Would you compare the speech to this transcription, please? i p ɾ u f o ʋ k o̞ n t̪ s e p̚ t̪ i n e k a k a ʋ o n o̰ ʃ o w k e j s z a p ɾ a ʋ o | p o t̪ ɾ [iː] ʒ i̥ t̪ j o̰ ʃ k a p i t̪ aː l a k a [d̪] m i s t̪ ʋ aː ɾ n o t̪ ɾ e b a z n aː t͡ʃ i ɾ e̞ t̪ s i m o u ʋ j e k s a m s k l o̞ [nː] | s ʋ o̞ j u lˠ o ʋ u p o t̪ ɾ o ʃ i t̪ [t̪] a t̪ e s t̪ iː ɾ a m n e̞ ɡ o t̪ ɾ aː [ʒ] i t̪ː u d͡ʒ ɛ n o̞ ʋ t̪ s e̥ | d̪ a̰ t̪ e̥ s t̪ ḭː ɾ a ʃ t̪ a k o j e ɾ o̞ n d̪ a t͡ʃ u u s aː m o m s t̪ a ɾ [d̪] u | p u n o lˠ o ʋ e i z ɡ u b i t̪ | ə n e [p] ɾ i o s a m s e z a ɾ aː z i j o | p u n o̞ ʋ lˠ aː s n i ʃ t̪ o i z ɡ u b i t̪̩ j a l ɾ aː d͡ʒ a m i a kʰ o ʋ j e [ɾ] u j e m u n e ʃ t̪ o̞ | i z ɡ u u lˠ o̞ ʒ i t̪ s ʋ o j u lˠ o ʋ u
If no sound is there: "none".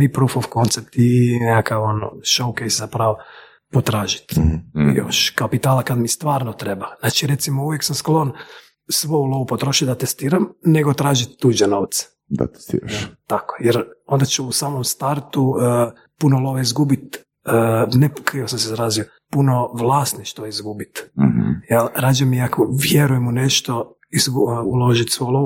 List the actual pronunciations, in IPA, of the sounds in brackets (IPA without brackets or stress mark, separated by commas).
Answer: aː, d̪, n, d̪, ʒ, t̪, k, ɾ